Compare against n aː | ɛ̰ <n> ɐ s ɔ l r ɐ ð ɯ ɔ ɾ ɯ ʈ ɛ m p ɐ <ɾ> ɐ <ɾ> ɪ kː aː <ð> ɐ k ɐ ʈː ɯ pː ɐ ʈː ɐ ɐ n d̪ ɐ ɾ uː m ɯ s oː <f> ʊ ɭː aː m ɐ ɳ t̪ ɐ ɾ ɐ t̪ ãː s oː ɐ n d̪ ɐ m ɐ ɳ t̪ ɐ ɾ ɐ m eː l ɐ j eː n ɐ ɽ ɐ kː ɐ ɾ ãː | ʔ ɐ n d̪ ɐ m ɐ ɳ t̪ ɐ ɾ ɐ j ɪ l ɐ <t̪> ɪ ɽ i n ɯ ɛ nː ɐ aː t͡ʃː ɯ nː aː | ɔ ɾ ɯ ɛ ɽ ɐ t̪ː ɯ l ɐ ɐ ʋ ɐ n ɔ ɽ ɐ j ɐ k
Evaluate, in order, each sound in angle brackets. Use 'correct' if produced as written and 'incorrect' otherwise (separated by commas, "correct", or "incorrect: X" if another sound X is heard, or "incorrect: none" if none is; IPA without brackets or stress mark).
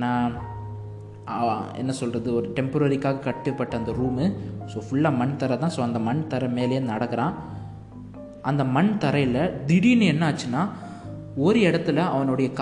incorrect: nː, correct, correct, incorrect: ɣ, correct, incorrect: d̪